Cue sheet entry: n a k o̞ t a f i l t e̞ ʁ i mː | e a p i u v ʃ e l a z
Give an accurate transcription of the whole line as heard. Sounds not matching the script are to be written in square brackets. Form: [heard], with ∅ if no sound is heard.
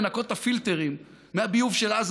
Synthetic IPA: n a k o̞ t a f i l t e̞ ʁ i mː | e a [b] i u v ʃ e l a z

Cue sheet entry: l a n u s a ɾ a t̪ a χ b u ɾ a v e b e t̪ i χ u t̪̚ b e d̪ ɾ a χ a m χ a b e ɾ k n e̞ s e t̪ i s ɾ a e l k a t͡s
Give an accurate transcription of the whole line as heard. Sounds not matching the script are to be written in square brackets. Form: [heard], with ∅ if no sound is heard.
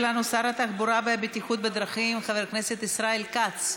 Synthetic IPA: l a n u s a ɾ a t̪ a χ b u ɾ a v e b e t̪ i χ u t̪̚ b e d̪ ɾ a χ [i] m χ a [v] e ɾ k n e̞ s e t̪ i s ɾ a e l k a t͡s

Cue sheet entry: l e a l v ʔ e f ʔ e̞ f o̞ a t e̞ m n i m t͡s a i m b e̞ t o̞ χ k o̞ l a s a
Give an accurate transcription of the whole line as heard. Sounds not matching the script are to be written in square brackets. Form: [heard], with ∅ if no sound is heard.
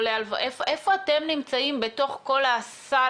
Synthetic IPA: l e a l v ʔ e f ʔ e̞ f o̞ a t e̞ m n i m t͡s a i m b e̞ t o̞ χ k o̞ l a s a

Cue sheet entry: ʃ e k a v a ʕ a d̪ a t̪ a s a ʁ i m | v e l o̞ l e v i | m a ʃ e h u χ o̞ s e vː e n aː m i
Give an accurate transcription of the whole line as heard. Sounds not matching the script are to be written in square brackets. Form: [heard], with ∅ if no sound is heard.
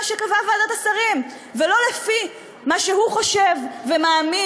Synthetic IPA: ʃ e k a v a [v] a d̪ a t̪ a s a ʁ i m | v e l o̞ l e [f] i | m a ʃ e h u χ o̞ [ʃ] e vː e [m] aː m i

